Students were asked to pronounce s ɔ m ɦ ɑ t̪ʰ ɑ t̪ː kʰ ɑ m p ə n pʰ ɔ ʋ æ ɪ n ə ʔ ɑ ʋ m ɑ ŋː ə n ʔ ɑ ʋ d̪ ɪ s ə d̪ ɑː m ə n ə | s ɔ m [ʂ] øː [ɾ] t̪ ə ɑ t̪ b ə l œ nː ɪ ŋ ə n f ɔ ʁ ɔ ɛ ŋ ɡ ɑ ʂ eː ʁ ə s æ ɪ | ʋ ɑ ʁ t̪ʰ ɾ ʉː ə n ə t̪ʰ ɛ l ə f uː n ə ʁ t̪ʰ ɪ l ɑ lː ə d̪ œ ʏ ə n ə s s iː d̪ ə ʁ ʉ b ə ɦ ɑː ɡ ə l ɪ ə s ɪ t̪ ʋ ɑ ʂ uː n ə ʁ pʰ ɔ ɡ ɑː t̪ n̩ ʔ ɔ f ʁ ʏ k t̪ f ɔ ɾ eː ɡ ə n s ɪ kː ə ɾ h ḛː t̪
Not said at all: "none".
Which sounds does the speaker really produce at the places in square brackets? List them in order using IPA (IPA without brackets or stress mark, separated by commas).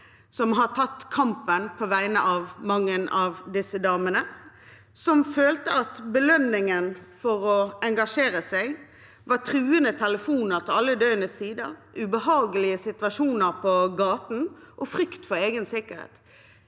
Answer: f, l